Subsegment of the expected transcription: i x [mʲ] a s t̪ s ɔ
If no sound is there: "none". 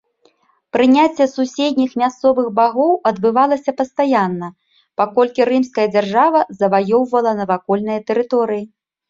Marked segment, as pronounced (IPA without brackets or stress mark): mʲ